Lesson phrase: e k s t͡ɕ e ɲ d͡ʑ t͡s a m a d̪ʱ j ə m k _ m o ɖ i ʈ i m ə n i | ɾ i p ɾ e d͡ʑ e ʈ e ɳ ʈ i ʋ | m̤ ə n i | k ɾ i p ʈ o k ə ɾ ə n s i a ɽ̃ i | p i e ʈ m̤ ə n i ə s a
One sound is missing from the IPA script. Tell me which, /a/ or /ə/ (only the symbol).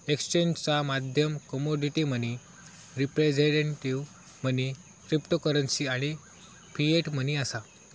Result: ə